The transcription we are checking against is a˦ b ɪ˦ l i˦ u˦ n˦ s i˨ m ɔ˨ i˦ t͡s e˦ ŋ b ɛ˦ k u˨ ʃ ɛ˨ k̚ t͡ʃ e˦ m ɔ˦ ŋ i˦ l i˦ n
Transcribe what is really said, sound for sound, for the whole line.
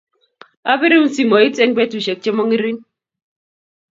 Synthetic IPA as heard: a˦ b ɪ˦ ɾ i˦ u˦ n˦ s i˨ m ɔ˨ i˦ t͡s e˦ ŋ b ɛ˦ t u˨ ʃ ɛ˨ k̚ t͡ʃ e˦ m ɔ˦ ŋ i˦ ɾ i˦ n